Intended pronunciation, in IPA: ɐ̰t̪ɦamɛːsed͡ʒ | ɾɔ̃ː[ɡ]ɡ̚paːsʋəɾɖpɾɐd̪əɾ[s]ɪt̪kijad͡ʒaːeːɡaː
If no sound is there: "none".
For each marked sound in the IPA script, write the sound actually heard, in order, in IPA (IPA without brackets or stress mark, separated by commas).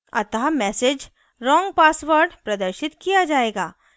ŋ, ʃ